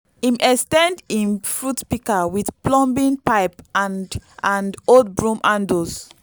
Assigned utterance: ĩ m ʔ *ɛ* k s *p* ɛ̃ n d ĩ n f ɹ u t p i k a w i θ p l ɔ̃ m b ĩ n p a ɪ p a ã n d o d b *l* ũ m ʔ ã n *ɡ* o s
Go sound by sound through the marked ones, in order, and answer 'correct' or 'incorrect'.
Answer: correct, incorrect: t, incorrect: ɹ, incorrect: d

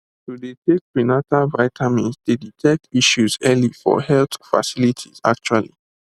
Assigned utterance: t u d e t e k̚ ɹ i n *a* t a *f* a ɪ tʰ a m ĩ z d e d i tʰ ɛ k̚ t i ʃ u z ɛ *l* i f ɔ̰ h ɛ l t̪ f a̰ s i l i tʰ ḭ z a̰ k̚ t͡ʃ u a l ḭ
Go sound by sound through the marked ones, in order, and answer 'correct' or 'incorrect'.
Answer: correct, incorrect: v, correct

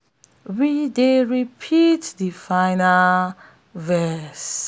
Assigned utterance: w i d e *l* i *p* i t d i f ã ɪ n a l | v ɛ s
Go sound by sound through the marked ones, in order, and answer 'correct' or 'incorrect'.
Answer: incorrect: ɹ, incorrect: pʰ

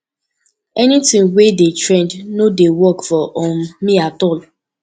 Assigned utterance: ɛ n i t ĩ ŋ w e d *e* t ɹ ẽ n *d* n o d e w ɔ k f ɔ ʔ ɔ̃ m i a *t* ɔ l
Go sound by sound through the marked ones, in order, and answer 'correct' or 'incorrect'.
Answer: correct, correct, correct

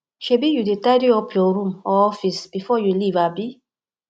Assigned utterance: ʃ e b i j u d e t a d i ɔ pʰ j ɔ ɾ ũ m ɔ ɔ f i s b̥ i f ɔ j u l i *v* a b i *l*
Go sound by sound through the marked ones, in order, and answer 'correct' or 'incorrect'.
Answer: correct, incorrect: none

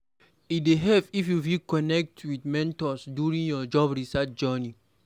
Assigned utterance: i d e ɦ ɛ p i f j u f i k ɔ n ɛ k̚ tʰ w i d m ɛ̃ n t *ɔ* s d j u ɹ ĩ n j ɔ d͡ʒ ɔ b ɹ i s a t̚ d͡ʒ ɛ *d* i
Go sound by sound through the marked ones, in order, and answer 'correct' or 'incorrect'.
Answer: correct, incorrect: n

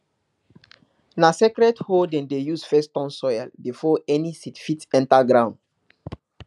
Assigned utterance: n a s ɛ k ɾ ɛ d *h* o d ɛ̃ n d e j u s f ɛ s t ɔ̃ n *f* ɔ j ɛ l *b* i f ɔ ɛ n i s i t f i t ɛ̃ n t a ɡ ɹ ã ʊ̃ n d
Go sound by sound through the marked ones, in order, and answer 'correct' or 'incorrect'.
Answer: correct, incorrect: s, correct

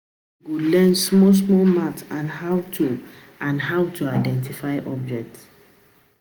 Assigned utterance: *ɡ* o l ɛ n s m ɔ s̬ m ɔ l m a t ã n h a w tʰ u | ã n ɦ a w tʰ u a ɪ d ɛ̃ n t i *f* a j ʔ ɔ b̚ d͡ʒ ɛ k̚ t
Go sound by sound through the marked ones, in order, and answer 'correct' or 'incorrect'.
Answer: correct, correct

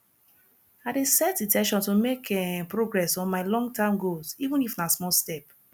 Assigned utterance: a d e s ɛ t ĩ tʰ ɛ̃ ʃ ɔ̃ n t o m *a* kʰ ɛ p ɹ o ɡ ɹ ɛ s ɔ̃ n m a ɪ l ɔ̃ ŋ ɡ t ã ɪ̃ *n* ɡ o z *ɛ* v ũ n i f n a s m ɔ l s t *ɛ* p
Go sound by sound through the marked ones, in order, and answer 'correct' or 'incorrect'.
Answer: incorrect: e, incorrect: m, incorrect: i, correct

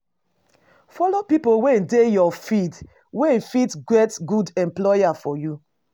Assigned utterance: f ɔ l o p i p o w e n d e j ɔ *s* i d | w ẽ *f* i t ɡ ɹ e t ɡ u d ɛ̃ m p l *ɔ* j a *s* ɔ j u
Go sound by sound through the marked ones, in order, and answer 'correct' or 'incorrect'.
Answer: incorrect: f, correct, correct, incorrect: f

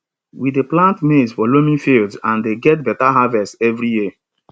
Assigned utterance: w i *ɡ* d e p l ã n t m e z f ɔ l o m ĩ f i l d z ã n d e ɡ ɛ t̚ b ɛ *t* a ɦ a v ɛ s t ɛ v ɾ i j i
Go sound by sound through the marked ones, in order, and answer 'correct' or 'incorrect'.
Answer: incorrect: none, correct

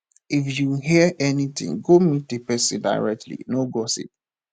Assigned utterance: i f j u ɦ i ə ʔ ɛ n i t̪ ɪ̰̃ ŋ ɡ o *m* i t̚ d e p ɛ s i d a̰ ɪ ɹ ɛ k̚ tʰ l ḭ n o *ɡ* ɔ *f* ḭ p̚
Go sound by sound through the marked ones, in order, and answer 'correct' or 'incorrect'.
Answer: correct, correct, incorrect: s

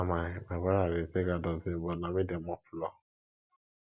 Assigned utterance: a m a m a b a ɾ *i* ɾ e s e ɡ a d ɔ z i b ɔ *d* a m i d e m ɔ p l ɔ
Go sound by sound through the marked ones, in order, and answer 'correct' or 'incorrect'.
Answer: incorrect: a, incorrect: n

